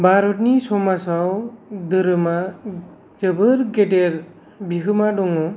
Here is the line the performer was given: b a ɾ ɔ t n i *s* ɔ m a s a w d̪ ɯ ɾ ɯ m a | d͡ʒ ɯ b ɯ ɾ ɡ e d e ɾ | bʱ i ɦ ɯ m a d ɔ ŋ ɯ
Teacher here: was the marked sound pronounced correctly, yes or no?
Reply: yes